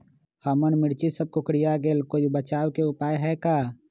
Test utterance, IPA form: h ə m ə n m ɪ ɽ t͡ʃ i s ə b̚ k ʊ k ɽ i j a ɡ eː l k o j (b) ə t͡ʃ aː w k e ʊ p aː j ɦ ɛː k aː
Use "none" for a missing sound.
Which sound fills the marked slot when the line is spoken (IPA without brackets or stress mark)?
b